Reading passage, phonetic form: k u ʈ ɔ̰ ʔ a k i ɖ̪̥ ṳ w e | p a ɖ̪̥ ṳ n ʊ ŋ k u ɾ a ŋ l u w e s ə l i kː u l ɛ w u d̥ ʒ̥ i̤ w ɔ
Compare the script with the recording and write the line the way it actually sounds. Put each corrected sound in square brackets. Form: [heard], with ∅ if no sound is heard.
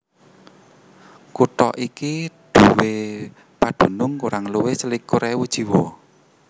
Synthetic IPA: k u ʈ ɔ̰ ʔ [i] k i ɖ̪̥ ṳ w e | p a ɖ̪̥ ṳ n ʊ ŋ k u ɾ a ŋ l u w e s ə l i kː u [ɾ] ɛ w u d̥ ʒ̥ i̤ w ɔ